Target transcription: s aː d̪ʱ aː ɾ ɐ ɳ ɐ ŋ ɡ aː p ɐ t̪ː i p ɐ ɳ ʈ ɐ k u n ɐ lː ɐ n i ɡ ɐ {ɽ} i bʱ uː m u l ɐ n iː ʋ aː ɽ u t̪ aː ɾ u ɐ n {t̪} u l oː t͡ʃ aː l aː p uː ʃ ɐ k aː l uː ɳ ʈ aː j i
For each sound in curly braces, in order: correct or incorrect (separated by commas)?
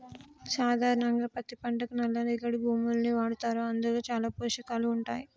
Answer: correct, incorrect